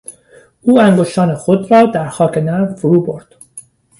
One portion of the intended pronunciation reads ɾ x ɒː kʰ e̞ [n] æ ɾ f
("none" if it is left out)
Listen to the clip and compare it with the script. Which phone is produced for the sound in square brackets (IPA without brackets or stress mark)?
n